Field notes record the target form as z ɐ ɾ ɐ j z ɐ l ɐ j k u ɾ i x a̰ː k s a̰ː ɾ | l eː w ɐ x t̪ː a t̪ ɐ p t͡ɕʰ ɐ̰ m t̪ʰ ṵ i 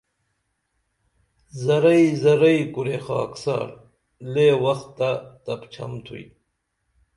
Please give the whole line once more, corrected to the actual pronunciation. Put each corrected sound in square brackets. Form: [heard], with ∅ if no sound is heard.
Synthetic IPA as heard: z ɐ ɾ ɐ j z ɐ [ɾ] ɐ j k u ɾ [e] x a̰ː k s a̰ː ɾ | l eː w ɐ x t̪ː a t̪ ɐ p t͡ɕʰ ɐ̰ m t̪ʰ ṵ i